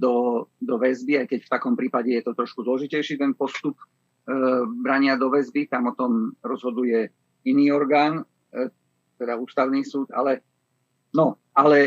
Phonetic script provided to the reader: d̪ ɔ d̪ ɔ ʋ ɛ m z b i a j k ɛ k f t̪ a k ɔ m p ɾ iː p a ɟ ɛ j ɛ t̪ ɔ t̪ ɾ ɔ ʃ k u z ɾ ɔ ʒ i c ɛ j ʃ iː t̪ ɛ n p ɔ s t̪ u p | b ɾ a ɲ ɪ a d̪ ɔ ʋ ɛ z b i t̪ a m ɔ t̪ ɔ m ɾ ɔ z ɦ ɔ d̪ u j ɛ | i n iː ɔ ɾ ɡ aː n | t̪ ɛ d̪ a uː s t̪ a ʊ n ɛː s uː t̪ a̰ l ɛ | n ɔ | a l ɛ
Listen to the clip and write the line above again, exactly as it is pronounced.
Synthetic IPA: d̪ ɔ d̪ ɔ ʋ ɛ z b i a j k ɛ c f t̪ a k ɔ m p ɾ iː p a ɟ ɛ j ɛ t̪ ɔ t̪ ɾ ɔ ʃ k u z l ɔ ʒ i c ɛ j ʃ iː t̪ ɛ n p ɔ s t̪ u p | b ɾ a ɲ ɪ a d̪ ɔ ʋ ɛ z b i t̪ a m ɔ t̪ ɔ m ɾ ɔ z ɦ ɔ d̪ u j ɛ | i n iː ɔ ɾ ɡ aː n | t̪ ɛ d̪ a uː s t̪ a ʊ n iː s uː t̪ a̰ l ɛ | n ɔ | a l ɛ